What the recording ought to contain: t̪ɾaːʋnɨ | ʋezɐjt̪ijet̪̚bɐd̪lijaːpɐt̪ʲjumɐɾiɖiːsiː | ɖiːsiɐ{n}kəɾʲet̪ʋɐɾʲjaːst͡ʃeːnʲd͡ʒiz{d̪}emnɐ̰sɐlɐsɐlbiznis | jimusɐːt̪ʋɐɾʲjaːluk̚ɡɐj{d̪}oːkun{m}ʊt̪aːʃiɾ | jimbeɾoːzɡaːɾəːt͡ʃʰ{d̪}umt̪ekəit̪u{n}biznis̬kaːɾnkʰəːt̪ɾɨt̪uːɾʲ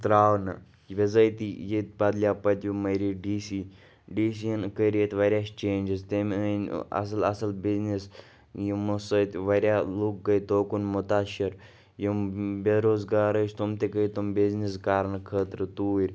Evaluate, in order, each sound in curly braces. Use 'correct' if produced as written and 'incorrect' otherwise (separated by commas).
correct, incorrect, incorrect, correct, incorrect, incorrect